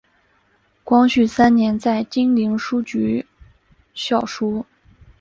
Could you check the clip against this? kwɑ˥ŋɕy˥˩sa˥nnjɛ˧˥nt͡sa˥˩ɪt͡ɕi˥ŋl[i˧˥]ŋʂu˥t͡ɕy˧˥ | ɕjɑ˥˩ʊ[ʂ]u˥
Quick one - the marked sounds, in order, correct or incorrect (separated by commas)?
correct, correct